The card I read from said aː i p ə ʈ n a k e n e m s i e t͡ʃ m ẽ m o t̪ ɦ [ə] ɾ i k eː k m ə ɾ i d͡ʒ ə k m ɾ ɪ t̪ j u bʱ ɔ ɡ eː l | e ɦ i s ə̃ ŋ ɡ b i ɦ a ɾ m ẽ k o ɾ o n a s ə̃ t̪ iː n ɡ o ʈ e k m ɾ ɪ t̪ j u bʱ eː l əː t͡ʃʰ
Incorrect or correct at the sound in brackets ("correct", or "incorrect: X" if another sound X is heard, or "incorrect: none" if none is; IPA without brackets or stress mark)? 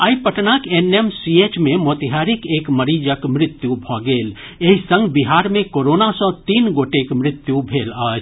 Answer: incorrect: a